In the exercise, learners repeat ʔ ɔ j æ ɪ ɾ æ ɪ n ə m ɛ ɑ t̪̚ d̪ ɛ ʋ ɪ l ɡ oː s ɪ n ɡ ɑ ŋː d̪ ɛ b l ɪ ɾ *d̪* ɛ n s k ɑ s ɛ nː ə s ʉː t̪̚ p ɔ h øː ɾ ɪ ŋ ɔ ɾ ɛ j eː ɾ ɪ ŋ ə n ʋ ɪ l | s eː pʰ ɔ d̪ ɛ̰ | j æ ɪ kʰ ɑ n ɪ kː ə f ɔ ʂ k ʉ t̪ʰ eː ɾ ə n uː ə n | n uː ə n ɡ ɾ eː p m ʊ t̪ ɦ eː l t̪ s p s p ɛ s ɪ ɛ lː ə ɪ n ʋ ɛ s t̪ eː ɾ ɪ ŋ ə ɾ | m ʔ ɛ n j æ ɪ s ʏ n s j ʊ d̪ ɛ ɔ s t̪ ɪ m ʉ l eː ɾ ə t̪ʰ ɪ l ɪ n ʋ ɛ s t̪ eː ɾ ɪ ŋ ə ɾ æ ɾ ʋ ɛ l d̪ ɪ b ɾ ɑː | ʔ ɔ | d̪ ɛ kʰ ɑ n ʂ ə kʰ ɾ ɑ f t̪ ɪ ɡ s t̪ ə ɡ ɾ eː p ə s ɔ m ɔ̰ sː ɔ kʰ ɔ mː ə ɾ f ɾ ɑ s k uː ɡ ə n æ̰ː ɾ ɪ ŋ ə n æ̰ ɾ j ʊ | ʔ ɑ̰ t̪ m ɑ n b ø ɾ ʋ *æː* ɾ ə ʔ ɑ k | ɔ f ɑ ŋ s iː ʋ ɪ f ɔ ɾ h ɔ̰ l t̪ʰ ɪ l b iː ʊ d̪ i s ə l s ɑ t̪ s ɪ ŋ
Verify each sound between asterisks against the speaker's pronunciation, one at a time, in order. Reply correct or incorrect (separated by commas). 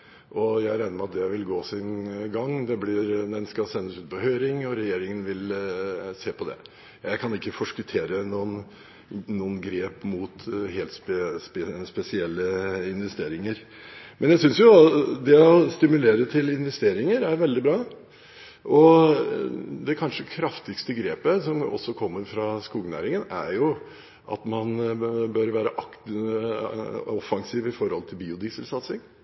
correct, correct